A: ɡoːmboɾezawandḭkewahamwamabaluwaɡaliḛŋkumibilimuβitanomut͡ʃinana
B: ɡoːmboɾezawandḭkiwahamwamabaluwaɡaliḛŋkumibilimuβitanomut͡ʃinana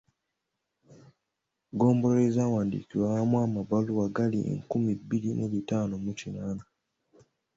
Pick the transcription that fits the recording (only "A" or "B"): B